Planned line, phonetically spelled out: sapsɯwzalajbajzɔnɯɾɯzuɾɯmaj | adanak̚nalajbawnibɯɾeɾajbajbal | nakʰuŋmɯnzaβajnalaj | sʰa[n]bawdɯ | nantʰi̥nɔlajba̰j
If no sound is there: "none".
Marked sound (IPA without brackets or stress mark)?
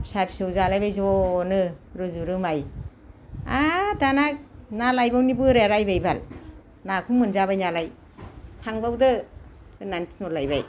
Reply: ŋ